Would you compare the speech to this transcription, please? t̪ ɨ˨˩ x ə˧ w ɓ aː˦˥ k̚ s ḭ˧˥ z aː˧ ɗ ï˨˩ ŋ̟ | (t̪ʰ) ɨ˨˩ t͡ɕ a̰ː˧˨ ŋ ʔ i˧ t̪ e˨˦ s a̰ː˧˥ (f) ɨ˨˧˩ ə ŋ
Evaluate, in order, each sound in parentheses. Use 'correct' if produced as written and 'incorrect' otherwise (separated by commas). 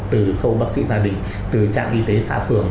incorrect, correct